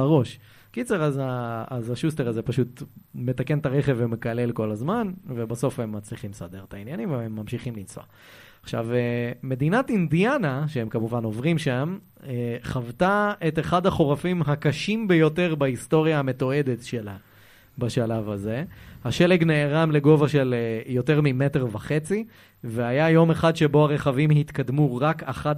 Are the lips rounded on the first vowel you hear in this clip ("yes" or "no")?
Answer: yes